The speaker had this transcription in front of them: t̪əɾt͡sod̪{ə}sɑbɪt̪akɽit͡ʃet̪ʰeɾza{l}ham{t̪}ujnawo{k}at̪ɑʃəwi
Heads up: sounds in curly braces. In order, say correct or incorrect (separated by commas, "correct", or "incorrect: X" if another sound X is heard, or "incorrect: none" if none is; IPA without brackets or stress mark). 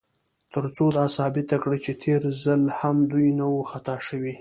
incorrect: ɑ, correct, incorrect: d̪, incorrect: x